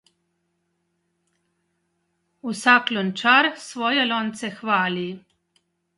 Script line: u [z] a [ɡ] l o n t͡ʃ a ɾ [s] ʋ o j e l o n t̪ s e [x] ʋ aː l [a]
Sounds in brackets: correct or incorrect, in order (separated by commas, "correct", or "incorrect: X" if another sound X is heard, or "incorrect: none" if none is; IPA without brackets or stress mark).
incorrect: s, incorrect: k, correct, correct, incorrect: i